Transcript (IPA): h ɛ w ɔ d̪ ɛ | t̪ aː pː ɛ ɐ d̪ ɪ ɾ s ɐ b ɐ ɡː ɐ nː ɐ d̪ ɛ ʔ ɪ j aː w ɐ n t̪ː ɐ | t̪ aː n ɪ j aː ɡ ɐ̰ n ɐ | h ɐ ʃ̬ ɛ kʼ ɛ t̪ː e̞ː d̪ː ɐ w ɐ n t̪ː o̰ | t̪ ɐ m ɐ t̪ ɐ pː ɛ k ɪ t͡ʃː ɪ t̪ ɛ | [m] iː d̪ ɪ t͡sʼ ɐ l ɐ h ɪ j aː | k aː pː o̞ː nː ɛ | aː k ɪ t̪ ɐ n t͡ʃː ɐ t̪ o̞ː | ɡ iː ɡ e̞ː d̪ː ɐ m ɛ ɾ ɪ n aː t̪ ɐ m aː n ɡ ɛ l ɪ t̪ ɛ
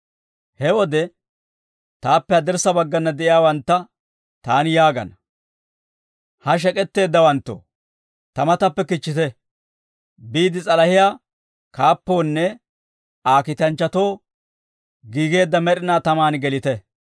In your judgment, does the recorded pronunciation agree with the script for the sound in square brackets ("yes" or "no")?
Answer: no